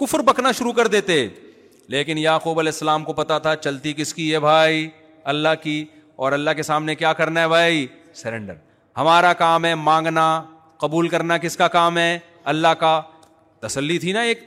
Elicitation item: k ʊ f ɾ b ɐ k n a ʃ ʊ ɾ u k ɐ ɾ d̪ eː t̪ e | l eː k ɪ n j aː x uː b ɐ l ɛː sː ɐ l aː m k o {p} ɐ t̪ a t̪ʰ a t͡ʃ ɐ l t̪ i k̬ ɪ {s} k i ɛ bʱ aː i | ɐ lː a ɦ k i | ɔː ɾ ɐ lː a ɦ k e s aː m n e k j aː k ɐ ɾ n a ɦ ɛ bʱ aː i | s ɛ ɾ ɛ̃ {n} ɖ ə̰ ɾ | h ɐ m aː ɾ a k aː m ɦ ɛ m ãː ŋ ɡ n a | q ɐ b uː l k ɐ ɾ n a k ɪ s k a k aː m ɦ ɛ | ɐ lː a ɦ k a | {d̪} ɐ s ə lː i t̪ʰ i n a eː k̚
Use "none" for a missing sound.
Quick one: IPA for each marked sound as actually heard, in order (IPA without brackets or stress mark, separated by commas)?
p, s, ɳ, t̪